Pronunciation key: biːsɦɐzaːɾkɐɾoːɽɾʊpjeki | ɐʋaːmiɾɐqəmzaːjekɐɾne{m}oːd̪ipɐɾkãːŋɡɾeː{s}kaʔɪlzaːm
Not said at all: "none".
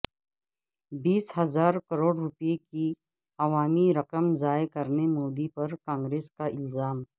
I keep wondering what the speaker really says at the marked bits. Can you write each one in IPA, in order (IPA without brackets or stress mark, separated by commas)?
m, s